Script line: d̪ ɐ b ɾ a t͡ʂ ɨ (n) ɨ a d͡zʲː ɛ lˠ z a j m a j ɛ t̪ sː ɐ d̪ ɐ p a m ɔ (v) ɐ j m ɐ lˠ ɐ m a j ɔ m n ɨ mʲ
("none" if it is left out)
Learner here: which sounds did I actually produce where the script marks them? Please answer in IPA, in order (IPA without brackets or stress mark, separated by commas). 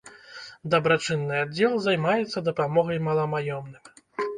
nː, ɣ